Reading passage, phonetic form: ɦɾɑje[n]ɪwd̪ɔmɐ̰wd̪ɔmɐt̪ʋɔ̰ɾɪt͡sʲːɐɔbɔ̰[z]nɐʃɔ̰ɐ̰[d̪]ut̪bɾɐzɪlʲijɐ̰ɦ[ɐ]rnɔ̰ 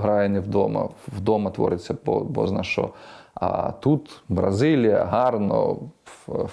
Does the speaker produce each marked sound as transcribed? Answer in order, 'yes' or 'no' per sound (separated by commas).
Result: yes, yes, no, no